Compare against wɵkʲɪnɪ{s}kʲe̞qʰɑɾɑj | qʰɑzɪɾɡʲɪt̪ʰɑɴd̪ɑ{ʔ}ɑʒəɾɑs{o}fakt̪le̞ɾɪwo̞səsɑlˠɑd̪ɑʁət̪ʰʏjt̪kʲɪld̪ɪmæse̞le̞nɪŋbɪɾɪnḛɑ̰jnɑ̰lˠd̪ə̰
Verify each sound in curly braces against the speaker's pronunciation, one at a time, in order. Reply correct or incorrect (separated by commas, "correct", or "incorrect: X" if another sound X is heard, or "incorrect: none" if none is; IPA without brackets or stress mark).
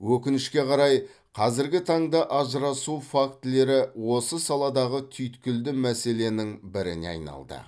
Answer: incorrect: ʃ, correct, incorrect: u